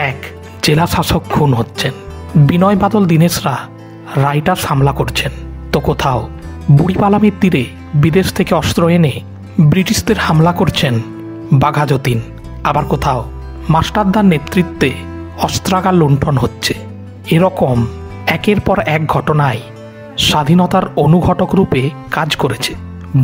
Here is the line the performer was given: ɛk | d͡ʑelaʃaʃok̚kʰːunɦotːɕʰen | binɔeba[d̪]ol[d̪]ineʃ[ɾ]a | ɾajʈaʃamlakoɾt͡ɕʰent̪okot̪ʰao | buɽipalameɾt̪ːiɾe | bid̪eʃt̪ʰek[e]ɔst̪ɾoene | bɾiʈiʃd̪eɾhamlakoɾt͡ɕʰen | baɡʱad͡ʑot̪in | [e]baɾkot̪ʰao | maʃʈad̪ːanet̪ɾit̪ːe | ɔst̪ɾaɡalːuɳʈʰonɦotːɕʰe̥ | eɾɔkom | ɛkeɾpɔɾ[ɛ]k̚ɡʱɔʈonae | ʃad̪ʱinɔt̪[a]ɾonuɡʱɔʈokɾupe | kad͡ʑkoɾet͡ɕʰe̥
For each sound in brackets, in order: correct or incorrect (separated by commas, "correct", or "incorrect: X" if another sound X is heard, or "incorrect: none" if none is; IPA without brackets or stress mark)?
correct, correct, correct, correct, incorrect: a, correct, correct